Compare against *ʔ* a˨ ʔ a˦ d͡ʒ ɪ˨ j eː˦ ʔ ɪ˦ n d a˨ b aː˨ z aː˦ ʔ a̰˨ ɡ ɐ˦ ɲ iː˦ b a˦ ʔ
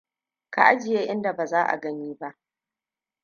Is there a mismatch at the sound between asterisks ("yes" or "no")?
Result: yes